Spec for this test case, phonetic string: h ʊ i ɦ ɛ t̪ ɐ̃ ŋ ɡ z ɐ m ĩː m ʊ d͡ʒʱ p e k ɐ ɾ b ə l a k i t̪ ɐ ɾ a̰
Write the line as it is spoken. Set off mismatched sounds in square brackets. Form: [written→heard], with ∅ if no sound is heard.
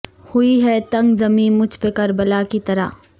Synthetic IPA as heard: h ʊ i ɦ ɛ t̪ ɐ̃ ŋ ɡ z ɐ m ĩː m ʊ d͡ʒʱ p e k ɐ ɾ b ə l a k i t̪ ɐ ɾ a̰

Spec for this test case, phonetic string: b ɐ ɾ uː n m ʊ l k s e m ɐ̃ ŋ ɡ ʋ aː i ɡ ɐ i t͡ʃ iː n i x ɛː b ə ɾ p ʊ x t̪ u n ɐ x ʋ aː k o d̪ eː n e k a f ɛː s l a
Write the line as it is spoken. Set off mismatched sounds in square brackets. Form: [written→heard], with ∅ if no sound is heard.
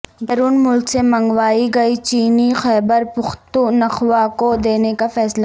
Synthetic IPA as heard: b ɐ ɾ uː n m ʊ l k s e m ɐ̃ ŋ ɡ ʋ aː i ɡ ɐ i t͡ʃ iː n i x ɛː b ə ɾ p ʊ x t̪ u n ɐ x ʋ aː k o d̪ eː n e k a f ɛː s l a

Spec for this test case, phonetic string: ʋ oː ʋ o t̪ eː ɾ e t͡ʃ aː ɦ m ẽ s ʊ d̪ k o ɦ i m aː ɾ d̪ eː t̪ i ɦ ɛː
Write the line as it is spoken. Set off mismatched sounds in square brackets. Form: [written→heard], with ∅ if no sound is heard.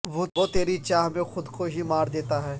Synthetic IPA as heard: ʋ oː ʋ o t̪ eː ɾ [e→i] t͡ʃ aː ɦ m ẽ [s→x] ʊ d̪ k o ɦ i m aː ɾ d̪ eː t̪ [i→a] ɦ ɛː

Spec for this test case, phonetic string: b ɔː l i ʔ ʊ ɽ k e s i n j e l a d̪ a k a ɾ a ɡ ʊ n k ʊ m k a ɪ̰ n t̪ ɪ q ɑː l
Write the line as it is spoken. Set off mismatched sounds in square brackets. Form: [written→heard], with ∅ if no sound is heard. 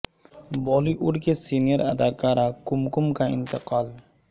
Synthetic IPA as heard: b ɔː l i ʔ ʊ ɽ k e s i n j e [l→ɾ] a d̪ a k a ɾ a [ɡ→k] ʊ [n→m] k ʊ m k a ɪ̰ n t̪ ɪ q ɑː l

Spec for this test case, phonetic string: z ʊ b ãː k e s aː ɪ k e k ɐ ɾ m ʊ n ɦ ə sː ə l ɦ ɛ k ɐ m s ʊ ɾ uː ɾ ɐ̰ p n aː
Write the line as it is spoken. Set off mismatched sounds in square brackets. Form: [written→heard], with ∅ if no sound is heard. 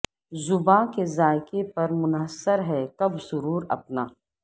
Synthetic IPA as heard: z ʊ b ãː k e [s→z] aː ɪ k e [k→p] ɐ ɾ m ʊ n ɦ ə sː ə [l→ɾ] ɦ ɛ k ɐ [m→b] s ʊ ɾ uː ɾ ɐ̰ p n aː

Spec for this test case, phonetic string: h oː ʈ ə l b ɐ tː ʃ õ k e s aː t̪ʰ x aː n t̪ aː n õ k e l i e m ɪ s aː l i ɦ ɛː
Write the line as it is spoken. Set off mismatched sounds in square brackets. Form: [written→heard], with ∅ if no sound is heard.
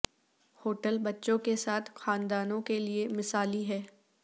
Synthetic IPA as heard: h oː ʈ ə l b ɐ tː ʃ õ k e s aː t̪ʰ x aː n [t̪→d̪] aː n õ k e l i e m ɪ s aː l i ɦ ɛː

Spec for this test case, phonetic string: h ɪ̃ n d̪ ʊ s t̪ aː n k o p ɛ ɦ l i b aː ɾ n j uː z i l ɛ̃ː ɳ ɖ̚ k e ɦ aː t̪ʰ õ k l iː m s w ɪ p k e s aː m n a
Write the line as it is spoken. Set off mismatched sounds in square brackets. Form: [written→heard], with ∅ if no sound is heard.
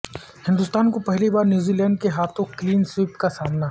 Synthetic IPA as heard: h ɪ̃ n d̪ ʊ s t̪ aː n k o p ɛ ɦ l i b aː ɾ n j uː z i l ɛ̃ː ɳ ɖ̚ k e ɦ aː t̪ʰ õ k l iː [m→n] s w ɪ p k [e→a] s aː m n a

